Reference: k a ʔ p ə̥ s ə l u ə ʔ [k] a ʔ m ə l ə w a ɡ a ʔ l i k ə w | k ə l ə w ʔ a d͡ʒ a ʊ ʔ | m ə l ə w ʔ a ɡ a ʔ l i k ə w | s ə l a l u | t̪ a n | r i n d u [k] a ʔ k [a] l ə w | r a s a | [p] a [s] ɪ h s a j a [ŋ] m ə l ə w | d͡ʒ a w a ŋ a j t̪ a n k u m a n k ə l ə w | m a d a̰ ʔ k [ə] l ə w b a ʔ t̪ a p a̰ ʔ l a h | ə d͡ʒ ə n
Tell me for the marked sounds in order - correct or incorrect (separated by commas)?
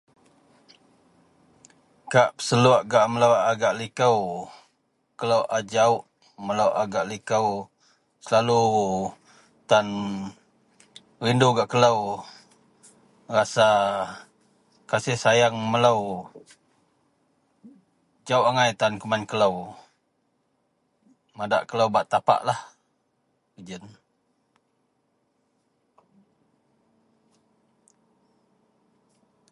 incorrect, incorrect, incorrect, incorrect, correct, correct, correct